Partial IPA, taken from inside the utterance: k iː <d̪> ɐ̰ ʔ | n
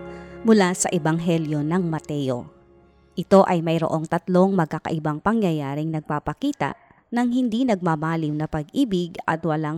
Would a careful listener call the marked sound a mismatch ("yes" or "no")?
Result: yes